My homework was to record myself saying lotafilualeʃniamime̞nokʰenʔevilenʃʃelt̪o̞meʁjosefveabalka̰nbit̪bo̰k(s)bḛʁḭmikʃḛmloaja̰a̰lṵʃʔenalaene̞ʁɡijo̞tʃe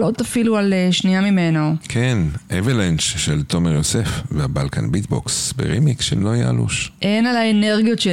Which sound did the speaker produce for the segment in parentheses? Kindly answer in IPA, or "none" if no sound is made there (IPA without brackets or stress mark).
s